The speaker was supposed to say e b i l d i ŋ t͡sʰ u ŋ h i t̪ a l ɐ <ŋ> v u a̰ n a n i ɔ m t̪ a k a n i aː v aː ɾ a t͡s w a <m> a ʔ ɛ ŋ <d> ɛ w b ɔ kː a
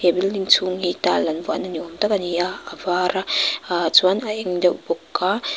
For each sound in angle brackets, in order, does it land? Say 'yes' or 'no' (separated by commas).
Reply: no, no, yes